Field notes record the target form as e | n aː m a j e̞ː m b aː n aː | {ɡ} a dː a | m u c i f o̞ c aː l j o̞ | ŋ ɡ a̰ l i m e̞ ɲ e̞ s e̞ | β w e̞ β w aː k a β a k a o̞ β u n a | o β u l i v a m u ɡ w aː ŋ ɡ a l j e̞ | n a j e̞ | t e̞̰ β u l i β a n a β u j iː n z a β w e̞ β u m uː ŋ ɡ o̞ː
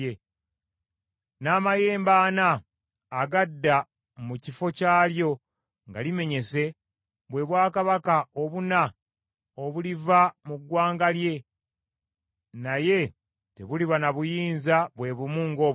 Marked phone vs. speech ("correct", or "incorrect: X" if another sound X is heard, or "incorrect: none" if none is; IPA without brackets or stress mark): correct